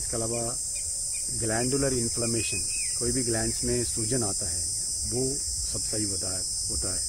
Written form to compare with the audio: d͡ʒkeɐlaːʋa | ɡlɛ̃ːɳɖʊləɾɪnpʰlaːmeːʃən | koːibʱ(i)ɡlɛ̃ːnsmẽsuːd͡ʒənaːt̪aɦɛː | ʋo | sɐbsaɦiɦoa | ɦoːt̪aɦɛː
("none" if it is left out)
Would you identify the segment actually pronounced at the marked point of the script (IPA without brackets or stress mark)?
i